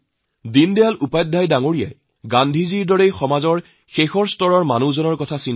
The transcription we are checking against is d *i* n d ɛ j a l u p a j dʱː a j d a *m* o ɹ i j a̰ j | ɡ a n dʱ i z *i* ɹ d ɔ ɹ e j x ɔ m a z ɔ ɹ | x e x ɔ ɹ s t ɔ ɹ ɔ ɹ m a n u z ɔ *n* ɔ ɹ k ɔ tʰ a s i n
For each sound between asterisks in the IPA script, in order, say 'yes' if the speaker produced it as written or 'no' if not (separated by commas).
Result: yes, no, yes, yes